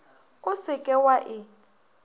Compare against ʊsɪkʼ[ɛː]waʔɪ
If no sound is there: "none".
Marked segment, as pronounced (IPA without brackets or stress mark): ɛ